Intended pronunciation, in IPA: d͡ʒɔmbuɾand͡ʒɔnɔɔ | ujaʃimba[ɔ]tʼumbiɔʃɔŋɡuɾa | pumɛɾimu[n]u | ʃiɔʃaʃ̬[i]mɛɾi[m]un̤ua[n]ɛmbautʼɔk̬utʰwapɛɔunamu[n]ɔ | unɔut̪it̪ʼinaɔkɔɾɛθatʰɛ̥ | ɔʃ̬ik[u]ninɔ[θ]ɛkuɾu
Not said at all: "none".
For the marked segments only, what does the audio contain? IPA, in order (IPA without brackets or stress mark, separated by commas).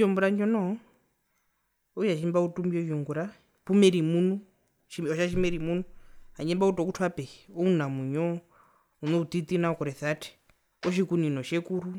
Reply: u, n, i, m, ɲ, ɲ, u, ʃ